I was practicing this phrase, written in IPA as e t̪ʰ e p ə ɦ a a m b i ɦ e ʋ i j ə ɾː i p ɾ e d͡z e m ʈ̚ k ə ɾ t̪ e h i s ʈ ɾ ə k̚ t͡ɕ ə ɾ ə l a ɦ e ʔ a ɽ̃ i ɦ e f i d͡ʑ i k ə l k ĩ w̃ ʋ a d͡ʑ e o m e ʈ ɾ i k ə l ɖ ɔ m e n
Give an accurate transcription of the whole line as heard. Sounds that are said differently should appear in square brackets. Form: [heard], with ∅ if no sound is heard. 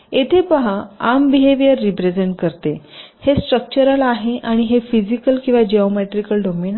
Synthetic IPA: e t̪ʰ e p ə ɦ a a m b i ɦ e ʋ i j ə ɾː i p ɾ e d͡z e [ɳ] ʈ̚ k ə ɾ t̪ e h [e] s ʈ ɾ ə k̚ t͡ɕ ə ɾ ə l a ɦ e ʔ a ɽ̃ i ɦ e f i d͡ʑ i k ə l k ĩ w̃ ʋ a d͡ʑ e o m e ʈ ɾ i k ə l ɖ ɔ m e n